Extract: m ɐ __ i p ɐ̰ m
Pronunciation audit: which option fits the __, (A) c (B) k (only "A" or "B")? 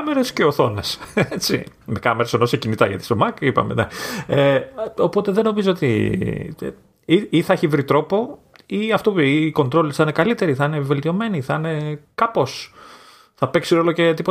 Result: B